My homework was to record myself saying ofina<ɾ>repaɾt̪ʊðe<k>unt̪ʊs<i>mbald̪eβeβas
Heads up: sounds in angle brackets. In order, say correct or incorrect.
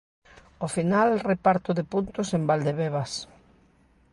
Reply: incorrect: l, incorrect: p, incorrect: e

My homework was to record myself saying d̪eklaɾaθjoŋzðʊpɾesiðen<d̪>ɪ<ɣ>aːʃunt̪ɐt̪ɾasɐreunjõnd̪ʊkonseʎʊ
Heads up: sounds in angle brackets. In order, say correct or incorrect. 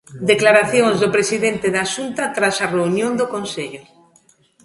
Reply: incorrect: t̪, incorrect: ð

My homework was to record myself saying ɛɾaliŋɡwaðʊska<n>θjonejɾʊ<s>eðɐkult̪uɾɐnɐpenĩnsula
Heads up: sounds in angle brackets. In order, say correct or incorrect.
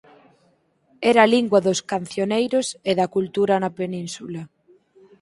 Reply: correct, correct

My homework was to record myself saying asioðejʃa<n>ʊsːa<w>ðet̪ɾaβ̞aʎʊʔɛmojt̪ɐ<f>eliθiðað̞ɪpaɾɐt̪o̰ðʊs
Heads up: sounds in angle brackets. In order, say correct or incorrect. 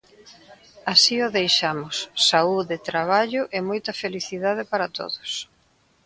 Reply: incorrect: m, incorrect: u, correct

